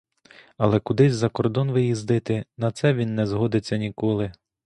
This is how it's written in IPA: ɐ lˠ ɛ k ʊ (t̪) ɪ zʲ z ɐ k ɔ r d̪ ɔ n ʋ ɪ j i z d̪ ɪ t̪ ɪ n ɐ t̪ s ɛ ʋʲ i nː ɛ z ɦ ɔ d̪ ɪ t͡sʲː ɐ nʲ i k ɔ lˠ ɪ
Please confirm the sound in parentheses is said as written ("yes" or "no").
no